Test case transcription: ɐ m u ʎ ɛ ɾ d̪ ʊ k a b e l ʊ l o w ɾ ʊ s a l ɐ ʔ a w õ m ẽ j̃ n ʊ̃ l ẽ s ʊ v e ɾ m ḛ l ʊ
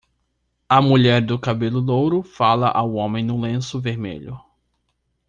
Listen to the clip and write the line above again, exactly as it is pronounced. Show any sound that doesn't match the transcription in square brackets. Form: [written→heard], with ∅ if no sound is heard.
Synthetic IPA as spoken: ɐ m u ʎ ɛ ɾ d̪ ʊ k a b e l ʊ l o w ɾ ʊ [s→f] a l ɐ ʔ a w õ m ẽ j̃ n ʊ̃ l ẽ s ʊ v e ɾ m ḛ [l→ʎ] ʊ